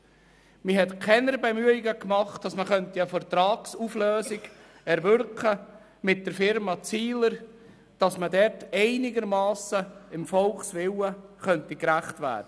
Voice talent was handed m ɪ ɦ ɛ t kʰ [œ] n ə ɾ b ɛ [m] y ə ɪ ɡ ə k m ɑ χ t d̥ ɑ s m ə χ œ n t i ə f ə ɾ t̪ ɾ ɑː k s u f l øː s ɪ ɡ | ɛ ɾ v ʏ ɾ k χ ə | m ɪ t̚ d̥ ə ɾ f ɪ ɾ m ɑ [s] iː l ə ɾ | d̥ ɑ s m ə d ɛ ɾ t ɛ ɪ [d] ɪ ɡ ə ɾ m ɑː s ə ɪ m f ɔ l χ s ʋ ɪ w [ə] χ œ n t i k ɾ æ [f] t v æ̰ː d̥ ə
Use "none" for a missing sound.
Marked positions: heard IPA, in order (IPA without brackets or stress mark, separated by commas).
ɛ, m, t͡s, n, ə, χ